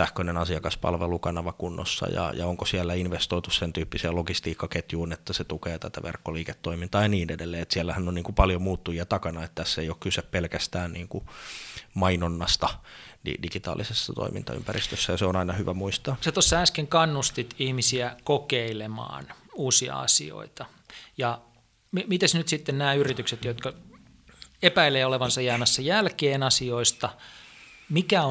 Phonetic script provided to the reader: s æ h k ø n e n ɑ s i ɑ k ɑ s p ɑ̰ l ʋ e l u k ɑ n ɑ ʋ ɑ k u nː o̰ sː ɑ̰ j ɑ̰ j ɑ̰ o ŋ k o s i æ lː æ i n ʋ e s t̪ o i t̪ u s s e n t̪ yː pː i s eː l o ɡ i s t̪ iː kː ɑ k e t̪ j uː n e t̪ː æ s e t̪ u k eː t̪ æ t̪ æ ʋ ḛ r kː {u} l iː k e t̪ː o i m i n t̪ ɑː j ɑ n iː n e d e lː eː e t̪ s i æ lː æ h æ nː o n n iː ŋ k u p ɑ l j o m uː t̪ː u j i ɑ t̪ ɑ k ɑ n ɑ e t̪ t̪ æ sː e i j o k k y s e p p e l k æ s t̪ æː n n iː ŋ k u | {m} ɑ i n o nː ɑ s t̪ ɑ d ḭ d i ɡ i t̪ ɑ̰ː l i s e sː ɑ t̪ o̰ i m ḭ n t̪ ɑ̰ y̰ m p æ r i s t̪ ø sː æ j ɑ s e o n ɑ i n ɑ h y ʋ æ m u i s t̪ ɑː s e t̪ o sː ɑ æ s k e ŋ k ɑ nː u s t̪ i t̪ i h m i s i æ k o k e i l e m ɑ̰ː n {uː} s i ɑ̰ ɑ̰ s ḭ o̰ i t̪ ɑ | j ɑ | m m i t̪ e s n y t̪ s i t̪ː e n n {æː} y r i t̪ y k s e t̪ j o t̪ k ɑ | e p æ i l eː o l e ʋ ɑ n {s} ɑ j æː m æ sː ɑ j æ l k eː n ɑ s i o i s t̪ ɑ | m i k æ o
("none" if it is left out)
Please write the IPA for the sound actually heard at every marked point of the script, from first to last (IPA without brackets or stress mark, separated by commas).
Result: o, m, uː, æː, s